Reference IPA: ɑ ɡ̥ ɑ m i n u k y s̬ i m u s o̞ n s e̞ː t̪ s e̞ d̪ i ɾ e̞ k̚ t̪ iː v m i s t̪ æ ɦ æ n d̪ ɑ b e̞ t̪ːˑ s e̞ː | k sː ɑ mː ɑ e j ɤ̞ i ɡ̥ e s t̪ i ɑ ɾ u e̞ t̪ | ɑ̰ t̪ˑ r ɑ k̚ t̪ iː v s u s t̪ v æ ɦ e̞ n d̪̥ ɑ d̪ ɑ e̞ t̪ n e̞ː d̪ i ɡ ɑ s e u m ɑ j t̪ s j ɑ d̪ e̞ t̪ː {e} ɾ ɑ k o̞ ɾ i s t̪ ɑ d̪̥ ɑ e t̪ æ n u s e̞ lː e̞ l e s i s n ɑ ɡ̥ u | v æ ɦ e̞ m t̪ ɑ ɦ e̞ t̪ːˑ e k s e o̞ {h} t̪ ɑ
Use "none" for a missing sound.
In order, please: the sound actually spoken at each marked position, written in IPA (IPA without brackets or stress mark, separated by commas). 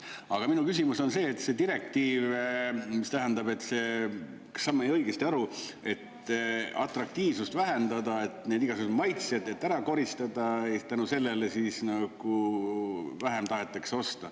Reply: æ, s